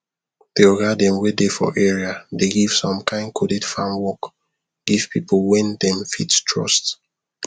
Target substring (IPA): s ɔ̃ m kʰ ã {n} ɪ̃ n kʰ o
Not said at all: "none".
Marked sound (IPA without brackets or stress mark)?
none